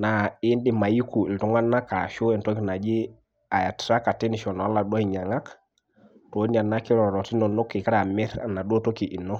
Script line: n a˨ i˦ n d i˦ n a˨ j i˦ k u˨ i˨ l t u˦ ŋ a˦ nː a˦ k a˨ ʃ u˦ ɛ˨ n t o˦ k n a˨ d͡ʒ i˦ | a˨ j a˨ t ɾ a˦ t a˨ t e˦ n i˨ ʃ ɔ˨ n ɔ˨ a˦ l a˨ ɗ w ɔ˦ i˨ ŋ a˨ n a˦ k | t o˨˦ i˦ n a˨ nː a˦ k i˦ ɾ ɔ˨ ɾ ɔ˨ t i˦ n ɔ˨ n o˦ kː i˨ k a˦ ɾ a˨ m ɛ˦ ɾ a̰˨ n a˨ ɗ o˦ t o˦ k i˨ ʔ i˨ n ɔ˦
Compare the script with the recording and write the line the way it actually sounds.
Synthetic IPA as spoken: n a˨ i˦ n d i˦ m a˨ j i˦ k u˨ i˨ l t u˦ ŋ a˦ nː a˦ k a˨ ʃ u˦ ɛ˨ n t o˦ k n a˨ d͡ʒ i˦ | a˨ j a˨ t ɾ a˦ k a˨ t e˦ n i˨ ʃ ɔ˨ n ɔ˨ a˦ l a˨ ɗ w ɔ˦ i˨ ɲ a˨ ŋ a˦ k | t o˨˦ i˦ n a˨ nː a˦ k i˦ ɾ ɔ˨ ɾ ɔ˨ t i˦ n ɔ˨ n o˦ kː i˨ k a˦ ɾ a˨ m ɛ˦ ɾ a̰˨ n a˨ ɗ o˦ t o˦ k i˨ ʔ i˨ n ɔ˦